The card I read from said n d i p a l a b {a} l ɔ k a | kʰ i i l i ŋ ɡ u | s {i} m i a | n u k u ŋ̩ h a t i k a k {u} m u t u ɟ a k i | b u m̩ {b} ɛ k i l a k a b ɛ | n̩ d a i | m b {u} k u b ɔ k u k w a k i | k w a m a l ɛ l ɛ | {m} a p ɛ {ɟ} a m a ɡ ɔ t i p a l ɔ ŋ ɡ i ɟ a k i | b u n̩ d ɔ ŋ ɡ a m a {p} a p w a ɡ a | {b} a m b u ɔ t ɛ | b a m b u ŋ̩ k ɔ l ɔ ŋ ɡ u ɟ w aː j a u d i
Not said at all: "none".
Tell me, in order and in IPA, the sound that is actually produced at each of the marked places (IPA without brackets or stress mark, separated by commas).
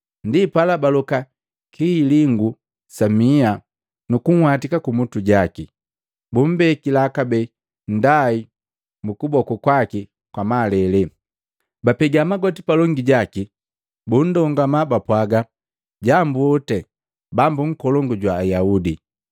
a, a, u, b, u, b, ɡ, b, ɟ